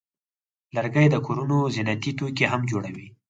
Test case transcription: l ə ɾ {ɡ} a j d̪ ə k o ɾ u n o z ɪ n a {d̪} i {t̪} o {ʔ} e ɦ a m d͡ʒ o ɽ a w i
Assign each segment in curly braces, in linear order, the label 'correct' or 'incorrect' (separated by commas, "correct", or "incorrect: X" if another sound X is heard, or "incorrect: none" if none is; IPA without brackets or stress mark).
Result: correct, incorrect: t̪, correct, incorrect: k